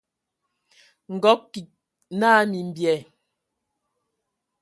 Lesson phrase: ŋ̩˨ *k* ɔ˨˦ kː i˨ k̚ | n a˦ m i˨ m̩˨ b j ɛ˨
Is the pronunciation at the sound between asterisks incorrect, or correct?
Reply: incorrect